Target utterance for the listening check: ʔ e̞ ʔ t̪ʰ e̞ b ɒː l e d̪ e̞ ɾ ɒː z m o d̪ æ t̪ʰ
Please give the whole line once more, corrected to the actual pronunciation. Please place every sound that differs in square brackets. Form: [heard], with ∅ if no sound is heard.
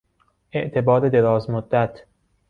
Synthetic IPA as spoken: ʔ e̞ ʔ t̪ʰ e̞ b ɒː [ɾ] e d̪ e̞ ɾ ɒː z m o [d̪ː] æ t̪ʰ